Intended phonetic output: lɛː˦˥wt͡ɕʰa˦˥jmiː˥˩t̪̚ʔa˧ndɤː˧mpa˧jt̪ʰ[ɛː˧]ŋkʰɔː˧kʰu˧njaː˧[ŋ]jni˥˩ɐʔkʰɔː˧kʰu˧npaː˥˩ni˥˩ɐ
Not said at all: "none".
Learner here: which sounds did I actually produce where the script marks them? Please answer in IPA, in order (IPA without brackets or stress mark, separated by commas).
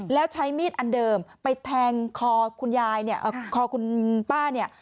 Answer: ɛː˧, none